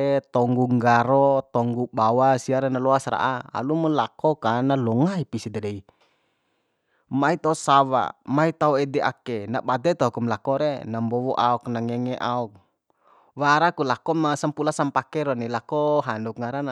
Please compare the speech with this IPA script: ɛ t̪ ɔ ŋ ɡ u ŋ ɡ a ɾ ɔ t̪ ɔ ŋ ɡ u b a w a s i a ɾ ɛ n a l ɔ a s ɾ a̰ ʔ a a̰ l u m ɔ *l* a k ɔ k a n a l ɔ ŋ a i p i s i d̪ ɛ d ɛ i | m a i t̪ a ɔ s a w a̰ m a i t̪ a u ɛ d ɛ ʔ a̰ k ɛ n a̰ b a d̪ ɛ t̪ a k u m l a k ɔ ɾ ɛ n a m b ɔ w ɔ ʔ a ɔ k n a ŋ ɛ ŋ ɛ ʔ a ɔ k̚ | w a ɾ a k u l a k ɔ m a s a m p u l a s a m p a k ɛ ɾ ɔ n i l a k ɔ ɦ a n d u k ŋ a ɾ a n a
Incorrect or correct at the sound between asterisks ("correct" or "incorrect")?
correct